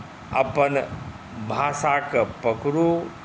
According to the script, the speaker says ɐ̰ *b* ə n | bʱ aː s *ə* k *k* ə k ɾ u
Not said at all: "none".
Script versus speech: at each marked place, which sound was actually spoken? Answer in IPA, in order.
p, a, p

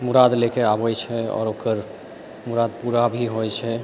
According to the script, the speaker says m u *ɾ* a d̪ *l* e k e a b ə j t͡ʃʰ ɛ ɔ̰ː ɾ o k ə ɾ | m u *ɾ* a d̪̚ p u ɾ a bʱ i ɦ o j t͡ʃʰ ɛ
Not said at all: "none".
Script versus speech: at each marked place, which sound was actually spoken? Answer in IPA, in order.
ɾ, l, ɾ

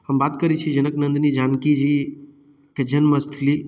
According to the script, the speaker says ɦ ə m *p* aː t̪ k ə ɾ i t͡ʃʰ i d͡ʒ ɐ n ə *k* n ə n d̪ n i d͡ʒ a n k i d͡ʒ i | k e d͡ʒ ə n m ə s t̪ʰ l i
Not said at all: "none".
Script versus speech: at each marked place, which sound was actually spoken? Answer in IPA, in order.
b, k

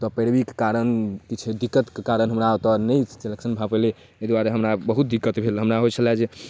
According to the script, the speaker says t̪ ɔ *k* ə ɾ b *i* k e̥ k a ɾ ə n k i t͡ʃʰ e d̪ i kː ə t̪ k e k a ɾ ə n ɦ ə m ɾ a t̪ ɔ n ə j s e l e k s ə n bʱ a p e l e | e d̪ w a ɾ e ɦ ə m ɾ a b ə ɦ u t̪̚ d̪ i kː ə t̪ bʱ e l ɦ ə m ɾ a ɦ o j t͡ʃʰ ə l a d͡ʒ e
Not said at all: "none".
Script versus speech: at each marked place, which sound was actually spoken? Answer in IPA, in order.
p, i

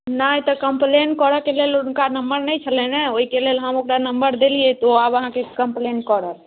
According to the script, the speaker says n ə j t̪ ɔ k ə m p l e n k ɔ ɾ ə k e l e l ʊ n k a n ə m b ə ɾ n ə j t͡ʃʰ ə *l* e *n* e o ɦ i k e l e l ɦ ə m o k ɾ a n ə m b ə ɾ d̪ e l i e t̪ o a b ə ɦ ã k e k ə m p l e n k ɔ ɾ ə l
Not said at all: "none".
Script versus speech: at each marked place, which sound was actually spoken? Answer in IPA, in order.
l, n

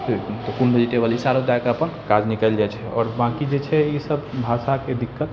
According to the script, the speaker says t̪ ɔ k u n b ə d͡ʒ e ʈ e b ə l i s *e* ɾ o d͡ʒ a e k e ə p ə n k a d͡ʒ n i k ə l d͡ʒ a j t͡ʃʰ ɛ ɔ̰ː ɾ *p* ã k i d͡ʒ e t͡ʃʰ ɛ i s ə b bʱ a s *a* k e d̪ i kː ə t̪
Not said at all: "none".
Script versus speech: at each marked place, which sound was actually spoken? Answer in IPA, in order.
a, b, a

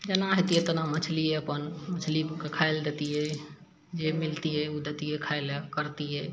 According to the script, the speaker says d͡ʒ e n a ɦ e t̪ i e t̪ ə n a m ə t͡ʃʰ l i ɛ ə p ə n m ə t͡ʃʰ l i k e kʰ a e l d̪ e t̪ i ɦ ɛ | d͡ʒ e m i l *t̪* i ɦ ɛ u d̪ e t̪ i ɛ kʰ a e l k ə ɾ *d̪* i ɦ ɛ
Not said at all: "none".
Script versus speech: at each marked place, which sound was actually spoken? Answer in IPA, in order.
t̪, t̪

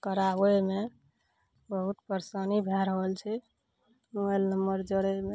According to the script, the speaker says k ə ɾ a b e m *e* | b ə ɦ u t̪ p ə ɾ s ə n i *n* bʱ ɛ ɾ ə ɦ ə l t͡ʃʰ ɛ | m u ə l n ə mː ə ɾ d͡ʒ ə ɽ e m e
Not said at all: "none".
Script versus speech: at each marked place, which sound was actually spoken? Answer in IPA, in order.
e, none

